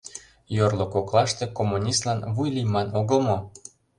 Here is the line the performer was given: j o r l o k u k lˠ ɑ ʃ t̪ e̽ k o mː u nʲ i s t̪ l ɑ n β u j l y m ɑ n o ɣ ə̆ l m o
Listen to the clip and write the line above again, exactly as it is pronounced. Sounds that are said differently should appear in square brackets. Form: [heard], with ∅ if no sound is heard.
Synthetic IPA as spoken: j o r l o k [o] k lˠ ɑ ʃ t̪ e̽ k o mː u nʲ i s t̪ l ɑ n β u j l [i] m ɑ n o ɣ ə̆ l m o